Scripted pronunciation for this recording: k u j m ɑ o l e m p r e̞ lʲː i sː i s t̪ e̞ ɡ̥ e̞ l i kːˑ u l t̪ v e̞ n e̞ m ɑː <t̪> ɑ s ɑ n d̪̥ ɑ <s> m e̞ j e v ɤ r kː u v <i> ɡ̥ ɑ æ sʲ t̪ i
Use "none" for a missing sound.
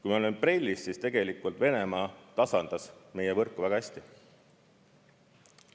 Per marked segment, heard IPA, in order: t̪, s, æ

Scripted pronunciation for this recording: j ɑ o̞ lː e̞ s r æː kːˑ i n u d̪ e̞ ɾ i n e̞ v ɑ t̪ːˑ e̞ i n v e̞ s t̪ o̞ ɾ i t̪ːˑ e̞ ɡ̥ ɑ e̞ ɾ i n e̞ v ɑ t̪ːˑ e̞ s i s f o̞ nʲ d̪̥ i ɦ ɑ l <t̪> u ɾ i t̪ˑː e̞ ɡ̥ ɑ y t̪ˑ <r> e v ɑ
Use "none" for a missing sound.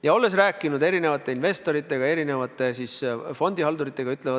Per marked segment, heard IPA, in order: d̪, l

